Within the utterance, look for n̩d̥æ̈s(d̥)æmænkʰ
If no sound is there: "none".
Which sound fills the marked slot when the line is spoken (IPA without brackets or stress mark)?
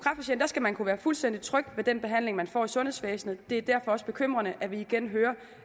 ɡ̥